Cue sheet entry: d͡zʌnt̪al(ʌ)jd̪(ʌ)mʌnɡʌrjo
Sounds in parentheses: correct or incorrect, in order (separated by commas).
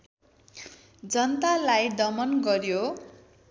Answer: incorrect, correct